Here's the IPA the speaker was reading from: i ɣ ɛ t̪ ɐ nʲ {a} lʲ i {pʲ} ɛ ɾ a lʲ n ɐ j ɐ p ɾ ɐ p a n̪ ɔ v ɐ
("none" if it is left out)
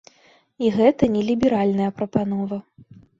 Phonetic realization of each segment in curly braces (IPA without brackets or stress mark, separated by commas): ɛ, bʲ